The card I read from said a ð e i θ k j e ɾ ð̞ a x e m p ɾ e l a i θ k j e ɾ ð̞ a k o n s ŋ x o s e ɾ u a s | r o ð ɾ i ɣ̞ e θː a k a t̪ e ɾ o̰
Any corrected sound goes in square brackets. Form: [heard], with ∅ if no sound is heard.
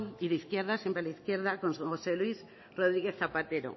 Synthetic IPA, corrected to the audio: [i] ð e i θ k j e ɾ ð̞ a [s] e m p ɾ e l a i θ k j e ɾ ð̞ a k o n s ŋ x o s e [l] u [i] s | r o ð ɾ i ɣ̞ e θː a [p] a t̪ e ɾ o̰